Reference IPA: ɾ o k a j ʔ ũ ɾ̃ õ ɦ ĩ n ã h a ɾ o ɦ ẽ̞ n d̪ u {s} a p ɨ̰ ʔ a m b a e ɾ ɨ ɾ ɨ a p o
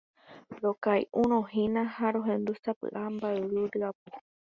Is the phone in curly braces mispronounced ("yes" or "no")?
no